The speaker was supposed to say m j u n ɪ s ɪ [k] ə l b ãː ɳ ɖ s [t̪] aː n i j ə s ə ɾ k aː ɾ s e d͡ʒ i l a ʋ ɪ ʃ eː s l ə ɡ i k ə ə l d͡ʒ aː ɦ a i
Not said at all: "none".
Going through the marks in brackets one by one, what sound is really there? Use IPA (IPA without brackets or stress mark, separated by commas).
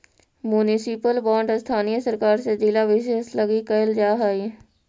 p, t̪ʰ